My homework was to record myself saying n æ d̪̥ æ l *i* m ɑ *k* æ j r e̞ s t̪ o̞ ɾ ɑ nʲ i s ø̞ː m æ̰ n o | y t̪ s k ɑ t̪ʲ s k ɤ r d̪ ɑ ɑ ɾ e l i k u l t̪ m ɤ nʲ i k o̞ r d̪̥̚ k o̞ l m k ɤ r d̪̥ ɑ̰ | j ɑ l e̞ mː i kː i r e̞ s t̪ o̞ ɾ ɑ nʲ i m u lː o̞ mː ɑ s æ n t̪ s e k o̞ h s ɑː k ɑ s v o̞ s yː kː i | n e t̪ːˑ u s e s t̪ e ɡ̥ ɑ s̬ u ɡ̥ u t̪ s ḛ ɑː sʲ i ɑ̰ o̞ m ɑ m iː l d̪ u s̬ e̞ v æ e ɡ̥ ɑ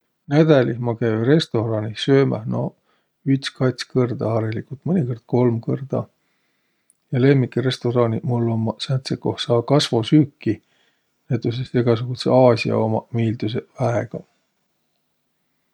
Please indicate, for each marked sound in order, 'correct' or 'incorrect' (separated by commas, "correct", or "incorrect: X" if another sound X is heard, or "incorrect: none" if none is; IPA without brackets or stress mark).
correct, correct